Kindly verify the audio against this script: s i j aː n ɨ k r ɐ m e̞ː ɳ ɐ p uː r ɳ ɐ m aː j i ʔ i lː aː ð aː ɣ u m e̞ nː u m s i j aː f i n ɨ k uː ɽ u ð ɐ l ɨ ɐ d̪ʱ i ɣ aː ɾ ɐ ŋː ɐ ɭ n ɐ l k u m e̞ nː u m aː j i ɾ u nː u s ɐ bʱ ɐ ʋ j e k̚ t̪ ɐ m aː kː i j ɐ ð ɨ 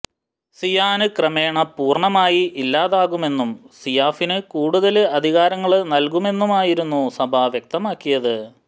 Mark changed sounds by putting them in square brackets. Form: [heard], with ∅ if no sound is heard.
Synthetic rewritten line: s i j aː n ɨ k r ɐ m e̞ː ɳ ɐ p uː r ɳ ɐ m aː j i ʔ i lː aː ð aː ɣ u m e̞ nː u m s i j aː f i n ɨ k uː ɽ u ð ɐ l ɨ ɐ d̪ʱ i ɣ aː ɾ ɐ ŋː ɐ ɭ n ɐ l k u m e̞ nː u m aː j i ɾ u nː u s ɐ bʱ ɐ ʋ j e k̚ t̪ ɐ m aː kː i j ɐ ð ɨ